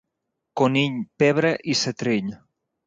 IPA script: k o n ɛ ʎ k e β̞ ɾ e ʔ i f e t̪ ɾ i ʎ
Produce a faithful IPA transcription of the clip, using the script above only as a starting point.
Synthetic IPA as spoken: k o n i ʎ p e β̞ ɾ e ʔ i s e t̪ ɾ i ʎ